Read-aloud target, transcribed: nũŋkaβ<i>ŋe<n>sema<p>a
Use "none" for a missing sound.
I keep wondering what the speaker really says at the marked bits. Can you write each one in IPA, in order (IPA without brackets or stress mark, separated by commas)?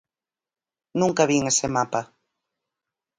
i, none, p